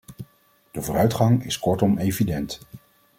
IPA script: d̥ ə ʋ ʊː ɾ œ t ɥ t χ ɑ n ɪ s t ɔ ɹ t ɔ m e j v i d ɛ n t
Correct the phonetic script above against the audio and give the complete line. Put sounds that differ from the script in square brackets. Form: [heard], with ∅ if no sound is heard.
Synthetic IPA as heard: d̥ ə [v] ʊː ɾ œ [∅] ɥ t χ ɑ [ŋ] ɪ s [k] ɔ ɹ t ɔ m e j v i d ɛ n t